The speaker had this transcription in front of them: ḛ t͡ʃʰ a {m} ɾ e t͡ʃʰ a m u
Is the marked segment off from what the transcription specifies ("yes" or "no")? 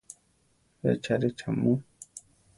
yes